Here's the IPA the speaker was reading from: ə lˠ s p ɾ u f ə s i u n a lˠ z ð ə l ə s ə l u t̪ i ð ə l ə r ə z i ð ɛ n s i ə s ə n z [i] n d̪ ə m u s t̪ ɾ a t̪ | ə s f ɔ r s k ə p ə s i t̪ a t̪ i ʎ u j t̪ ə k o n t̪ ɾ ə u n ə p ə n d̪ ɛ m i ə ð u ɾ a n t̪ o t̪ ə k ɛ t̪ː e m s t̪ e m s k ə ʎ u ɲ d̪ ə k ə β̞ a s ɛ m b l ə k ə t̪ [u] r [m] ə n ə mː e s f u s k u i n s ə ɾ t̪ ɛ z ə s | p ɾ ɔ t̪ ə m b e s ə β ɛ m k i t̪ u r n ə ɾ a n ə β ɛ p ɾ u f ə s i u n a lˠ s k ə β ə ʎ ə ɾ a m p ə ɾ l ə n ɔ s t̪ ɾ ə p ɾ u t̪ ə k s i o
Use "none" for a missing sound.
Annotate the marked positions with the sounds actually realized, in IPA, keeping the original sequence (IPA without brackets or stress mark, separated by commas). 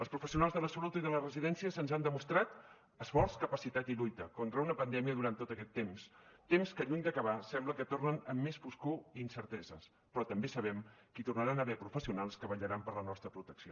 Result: a, o, n